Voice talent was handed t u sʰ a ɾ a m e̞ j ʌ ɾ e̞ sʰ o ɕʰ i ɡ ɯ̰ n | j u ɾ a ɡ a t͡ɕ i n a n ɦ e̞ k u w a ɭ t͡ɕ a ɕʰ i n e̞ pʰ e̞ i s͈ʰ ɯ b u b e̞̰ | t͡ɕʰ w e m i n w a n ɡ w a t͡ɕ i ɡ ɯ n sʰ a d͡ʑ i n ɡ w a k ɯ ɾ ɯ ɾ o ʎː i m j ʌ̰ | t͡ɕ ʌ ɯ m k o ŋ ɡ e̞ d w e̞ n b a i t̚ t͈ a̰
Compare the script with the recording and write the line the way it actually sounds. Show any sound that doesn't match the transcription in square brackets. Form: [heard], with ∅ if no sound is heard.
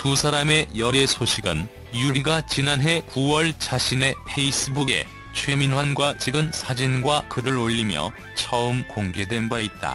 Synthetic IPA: t u sʰ a ɾ a m e̞ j ʌ ɾ e̞ sʰ o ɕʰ i ɡ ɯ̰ n | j u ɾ [i] ɡ a t͡ɕ i n a n ɦ e̞ k u w [ʌ] ɭ t͡ɕ a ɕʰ i n e̞ pʰ e̞ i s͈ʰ ɯ b u [ɡ] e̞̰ | t͡ɕʰ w e m i n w a n ɡ w a t͡ɕ i ɡ ɯ n sʰ a d͡ʑ i n ɡ w a k ɯ ɾ ɯ ɾ o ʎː i m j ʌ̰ | [t͡ɕʰ] ʌ ɯ m k o ŋ ɡ e̞ d w e̞ n b a i t̚ t͈ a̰